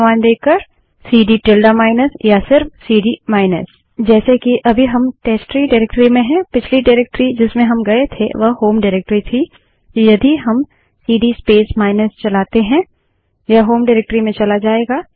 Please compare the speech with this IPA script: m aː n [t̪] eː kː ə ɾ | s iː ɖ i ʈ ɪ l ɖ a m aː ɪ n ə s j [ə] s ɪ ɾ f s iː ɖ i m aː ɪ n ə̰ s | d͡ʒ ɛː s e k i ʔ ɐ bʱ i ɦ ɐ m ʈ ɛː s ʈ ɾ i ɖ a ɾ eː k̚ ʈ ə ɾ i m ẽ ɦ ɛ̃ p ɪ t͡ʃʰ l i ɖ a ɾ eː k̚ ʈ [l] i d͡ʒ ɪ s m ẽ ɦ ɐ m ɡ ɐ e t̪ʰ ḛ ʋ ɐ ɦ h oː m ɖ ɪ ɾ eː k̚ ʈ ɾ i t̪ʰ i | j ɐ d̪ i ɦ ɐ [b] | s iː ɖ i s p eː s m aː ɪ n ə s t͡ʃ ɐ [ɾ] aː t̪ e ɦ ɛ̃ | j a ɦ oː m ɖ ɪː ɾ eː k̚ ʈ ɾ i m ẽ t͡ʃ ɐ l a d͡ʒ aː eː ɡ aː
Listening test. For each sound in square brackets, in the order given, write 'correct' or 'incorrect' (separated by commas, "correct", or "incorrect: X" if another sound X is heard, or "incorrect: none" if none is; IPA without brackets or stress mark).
incorrect: d̪, incorrect: a, incorrect: ɾ, incorrect: m, incorrect: l